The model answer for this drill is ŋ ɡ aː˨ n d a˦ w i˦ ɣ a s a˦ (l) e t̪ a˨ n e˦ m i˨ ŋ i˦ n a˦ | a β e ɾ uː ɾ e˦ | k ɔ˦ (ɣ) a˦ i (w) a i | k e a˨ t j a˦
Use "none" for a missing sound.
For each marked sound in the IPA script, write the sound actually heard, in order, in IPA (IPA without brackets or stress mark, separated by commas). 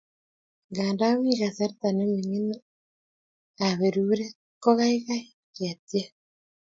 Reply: ɾ, ɣ, ɣ